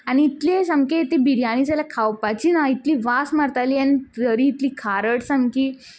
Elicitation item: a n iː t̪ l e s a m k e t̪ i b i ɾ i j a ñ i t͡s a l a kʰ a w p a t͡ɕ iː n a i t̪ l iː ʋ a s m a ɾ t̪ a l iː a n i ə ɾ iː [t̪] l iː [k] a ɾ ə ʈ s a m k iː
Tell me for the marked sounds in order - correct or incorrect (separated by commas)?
correct, incorrect